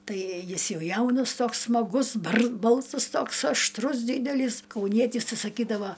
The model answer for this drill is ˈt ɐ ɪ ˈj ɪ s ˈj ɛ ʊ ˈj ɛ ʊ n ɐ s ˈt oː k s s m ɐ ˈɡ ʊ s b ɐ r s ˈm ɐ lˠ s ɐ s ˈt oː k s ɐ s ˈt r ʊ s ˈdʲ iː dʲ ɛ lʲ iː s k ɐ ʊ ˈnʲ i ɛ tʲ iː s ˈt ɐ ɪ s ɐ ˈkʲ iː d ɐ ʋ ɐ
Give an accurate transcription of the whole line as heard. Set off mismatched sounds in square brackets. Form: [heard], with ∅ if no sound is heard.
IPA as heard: ˈt ɐ ɪ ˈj ɪ s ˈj ɛ ʊ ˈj ɛ ʊ n ɐ s ˈt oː k s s m ɐ ˈɡ ʊ s b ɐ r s [ˈb] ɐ lˠ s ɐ s ˈt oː k s ɐ [ʃ] ˈt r ʊ s ˈdʲ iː dʲ ɛ lʲ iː s k ɐ ʊ ˈnʲ i ɛ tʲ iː s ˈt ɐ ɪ s ɐ ˈkʲ iː d ɐ ʋ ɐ